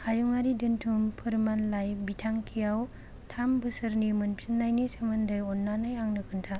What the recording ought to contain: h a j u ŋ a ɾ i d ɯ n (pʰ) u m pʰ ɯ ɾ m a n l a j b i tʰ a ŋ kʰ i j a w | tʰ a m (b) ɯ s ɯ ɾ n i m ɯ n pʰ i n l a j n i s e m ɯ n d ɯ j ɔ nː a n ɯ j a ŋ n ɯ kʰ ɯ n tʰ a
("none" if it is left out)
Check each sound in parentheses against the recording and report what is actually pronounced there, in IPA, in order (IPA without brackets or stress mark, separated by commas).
tʰ, b